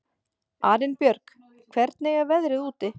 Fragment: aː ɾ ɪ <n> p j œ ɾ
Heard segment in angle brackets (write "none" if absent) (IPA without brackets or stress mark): n